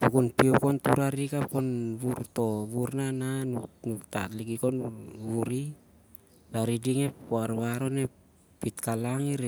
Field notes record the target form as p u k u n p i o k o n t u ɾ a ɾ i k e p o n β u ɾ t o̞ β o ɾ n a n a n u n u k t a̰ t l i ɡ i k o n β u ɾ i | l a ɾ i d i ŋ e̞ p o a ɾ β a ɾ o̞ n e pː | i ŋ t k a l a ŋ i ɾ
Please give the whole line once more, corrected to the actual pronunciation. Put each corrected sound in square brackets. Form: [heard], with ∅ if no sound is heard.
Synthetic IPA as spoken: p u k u n p i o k o n t u ɾ a ɾ i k [a] p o n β u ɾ t o̞ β [u] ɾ n a n a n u n u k t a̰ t l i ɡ i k o n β u ɾ i | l a ɾ i d i ŋ e̞ p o a ɾ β a ɾ o̞ n e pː | i [∅] t k a l a ŋ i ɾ